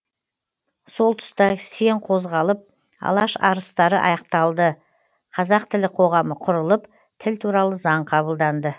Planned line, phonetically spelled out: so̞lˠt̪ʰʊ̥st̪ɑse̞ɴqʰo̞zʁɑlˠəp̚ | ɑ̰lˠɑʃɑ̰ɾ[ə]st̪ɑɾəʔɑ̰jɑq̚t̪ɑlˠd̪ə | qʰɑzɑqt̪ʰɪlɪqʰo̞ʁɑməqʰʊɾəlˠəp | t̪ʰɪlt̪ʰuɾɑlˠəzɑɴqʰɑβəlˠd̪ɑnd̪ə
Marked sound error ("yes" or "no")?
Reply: no